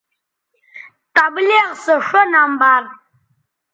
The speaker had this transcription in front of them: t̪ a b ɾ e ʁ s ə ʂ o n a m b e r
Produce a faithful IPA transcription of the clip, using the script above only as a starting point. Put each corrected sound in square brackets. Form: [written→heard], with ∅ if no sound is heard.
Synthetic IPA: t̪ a b [ɾ→l] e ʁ s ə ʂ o n a m b [e→a] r